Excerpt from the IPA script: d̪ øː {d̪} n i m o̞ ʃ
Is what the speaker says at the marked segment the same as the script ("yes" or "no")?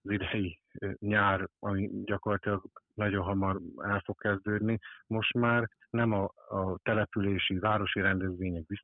yes